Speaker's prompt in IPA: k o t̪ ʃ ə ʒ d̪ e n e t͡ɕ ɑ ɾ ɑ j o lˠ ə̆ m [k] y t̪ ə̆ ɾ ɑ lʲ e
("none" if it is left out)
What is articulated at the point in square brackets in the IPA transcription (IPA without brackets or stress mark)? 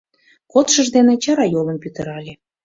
p